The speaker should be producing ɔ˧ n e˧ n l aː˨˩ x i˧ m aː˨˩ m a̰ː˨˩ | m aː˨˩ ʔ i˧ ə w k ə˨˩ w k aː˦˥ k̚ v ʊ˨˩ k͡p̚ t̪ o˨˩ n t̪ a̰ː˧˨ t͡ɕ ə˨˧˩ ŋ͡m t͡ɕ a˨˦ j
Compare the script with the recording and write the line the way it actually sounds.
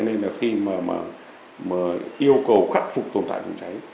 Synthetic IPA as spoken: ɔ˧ n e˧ n l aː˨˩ x i˧ m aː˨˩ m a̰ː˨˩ | m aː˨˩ ʔ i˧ ə w k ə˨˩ w x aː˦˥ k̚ f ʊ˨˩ k͡p̚ t̪ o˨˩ n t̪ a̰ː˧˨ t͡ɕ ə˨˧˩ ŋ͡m t͡ɕ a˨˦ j